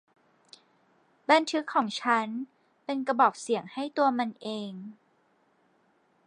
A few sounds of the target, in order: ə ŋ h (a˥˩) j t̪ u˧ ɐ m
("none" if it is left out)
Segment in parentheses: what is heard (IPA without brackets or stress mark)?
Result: a˥˩